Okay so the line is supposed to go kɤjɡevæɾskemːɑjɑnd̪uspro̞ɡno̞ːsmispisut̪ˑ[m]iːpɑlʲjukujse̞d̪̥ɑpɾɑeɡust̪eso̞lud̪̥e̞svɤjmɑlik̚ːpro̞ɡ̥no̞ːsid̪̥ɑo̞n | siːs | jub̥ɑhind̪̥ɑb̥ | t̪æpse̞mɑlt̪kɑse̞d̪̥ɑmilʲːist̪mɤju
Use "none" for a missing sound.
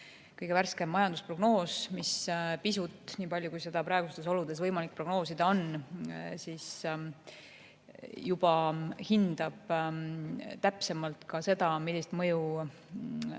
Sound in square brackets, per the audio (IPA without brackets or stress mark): n